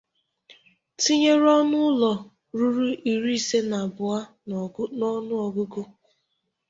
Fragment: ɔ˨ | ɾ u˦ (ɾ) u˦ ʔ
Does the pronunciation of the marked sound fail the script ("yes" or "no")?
no